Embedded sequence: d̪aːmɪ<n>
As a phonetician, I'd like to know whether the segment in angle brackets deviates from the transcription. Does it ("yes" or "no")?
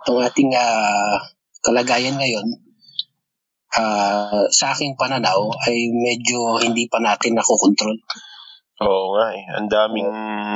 yes